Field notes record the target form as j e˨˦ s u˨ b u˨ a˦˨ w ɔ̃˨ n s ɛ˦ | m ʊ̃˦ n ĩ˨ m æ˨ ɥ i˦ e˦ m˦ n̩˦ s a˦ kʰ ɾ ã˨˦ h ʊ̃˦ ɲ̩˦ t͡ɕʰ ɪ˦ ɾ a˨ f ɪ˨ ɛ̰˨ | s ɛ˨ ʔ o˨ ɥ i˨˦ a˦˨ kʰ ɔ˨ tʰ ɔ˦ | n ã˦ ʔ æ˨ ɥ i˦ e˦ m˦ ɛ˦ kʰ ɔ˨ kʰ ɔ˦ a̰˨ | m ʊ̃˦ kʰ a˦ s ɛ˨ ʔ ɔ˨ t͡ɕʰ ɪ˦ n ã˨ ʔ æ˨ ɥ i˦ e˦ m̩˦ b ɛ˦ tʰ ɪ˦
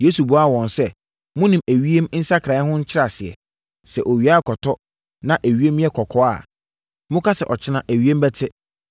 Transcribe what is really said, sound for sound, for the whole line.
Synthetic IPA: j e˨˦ s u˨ b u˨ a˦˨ w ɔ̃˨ n s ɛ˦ | m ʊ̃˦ n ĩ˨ m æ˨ ɥ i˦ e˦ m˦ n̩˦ s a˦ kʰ ɾ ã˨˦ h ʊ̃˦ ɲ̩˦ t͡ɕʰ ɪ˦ ɾ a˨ s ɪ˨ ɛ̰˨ | s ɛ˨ ʔ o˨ ɥ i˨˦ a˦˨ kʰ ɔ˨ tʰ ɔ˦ | n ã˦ ʔ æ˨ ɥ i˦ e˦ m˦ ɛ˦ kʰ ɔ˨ kʰ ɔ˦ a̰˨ | m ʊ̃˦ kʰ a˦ s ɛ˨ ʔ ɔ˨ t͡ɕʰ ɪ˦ n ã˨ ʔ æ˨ ɥ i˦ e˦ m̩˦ b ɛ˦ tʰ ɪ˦